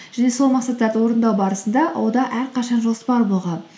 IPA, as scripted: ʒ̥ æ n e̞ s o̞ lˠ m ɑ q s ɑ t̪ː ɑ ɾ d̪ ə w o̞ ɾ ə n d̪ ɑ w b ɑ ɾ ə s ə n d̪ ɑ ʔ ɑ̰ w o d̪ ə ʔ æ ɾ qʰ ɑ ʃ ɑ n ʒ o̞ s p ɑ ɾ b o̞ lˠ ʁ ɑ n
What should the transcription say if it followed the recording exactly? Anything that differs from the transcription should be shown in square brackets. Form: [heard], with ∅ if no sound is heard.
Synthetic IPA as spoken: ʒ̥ æ n e̞ s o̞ lˠ m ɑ q s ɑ t̪ː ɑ ɾ d̪ ə w o̞ ɾ ə n d̪ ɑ w b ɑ ɾ ə s ə n d̪ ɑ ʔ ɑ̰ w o d̪ [ɑ] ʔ æ ɾ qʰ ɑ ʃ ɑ n ʒ o̞ s p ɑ ɾ b o̞ lˠ ʁ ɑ n

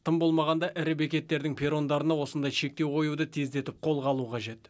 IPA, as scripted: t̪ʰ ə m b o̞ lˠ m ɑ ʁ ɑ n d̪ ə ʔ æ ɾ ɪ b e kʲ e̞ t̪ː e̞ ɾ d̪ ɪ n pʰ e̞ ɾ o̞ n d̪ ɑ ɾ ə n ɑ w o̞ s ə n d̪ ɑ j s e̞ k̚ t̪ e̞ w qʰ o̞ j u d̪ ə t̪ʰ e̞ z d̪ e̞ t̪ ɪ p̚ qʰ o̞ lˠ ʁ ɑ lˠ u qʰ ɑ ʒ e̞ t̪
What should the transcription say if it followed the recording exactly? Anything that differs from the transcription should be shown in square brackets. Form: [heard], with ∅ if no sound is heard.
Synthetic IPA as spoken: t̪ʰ ə m b o̞ lˠ m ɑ ʁ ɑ n d̪ [ɑ] ʔ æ ɾ ɪ b e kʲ e̞ t̪ː e̞ ɾ d̪ ɪ [ŋ] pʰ e̞ ɾ o̞ n d̪ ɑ ɾ ə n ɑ w o̞ s ə n d̪ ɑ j [ʃ] e̞ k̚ t̪ e̞ w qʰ o̞ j u d̪ ə t̪ʰ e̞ z d̪ e̞ t̪ ɪ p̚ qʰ o̞ lˠ ʁ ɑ lˠ u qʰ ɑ ʒ e̞ t̪

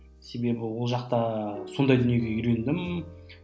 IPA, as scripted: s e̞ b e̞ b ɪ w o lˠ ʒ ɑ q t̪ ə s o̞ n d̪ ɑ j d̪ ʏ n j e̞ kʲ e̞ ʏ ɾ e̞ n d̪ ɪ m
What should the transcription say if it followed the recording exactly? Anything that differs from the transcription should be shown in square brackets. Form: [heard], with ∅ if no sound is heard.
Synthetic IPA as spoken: s e̞ b e̞ b ɪ w o lˠ ʒ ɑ q t̪ [ɑ] s o̞ n d̪ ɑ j d̪ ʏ n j e̞ [ɡʲ] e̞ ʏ ɾ e̞ n d̪ ɪ m

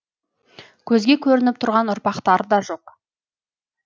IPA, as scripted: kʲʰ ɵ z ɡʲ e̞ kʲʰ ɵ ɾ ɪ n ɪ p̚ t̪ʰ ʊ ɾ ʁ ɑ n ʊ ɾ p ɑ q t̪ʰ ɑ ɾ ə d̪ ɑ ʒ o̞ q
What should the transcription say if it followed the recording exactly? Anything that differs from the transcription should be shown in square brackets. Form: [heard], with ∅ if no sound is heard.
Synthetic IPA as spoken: kʲʰ ɵ z ɡʲ e̞ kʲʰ ɵ ɾ ɪ n ɪ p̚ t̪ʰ ʊ ɾ ʁ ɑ n ʊ ɾ p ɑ q [t̪] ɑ ɾ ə d̪ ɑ ʒ o̞ q

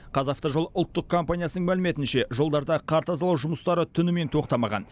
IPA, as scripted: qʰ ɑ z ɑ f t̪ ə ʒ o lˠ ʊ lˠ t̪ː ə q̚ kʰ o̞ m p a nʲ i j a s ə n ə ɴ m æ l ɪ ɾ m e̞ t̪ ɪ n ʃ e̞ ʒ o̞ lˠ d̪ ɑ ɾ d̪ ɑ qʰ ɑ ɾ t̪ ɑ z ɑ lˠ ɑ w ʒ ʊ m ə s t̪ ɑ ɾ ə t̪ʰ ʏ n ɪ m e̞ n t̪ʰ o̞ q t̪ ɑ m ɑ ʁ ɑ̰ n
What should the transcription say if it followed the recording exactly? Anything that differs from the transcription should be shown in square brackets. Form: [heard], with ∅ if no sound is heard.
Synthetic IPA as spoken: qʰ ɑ z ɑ f t̪ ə ʒ o lˠ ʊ lˠ t̪ː ə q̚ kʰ o̞ m p a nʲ i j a s ə n ə ɴ m æ l ɪ [∅] m e̞ t̪ ɪ n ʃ e̞ ʒ o̞ lˠ d̪ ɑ ɾ d̪ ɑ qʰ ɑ ɾ t̪ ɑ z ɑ lˠ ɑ w ʒ ʊ m ə s t̪ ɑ ɾ ə t̪ʰ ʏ n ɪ m e̞ n t̪ʰ o̞ q t̪ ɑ m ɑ ʁ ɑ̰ n

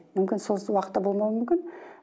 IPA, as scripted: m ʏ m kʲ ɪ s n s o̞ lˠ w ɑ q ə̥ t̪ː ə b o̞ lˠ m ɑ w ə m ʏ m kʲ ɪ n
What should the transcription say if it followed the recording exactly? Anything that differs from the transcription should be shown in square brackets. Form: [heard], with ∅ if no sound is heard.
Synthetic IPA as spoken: m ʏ m kʲ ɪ [∅] n s o̞ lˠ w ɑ q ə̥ t̪ː [ɑ] b o̞ lˠ m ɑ w ə m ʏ m kʲ ɪ n

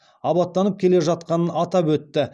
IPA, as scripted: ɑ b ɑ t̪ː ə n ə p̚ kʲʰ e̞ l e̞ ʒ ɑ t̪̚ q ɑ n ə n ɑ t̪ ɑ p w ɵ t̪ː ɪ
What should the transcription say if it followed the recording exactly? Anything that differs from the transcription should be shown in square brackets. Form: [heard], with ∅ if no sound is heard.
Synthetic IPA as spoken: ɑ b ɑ t̪ː [ɑ] n ə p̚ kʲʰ e̞ l e̞ ʒ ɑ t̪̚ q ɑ n ə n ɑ t̪ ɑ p w ɵ t̪ː ɪ

